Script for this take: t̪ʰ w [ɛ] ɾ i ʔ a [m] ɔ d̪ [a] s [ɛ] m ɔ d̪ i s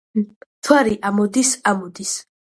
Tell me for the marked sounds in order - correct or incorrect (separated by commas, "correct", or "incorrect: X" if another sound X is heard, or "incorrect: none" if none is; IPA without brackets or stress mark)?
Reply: incorrect: a, correct, incorrect: i, incorrect: a